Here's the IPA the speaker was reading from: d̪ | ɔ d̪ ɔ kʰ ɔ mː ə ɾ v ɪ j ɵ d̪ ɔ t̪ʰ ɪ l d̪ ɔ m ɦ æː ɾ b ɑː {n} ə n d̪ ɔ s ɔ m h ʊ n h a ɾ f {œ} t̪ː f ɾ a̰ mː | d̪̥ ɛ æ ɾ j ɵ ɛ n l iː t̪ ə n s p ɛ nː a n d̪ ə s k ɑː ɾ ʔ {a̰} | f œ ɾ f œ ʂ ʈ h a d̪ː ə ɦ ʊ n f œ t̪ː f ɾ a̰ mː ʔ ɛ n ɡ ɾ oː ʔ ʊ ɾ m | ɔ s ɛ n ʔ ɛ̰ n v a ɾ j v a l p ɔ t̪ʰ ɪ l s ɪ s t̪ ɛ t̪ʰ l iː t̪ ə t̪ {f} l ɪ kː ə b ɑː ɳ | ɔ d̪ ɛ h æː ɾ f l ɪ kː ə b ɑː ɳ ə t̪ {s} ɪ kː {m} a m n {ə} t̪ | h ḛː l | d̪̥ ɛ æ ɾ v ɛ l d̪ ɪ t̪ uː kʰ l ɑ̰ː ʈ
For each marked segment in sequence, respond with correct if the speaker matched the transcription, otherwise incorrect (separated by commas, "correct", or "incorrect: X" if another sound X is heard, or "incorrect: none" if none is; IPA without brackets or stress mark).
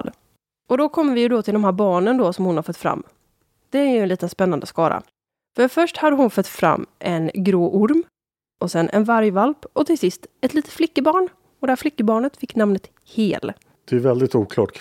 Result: incorrect: ɳ, correct, correct, correct, incorrect: f, incorrect: n, correct